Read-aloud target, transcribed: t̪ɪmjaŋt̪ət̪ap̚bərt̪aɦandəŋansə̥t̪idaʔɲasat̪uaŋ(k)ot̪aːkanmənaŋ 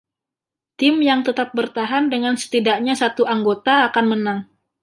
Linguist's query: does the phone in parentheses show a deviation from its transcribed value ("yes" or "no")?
yes